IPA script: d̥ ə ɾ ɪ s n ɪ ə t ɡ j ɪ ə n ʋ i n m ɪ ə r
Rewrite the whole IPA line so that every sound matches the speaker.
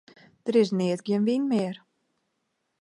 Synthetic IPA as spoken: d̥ ə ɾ ɪ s n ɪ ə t ɡ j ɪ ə n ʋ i n m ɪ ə r